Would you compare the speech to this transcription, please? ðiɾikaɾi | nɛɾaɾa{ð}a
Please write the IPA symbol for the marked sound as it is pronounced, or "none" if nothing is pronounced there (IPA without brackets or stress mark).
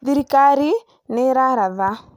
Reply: ð